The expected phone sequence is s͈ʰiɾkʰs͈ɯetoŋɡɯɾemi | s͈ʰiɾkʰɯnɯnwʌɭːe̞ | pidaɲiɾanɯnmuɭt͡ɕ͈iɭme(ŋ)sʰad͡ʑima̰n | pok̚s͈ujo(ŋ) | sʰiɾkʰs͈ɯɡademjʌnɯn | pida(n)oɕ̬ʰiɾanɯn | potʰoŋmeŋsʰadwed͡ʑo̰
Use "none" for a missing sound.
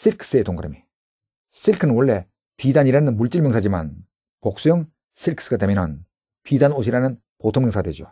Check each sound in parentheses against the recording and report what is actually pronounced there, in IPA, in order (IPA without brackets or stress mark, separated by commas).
ŋ, ŋ, n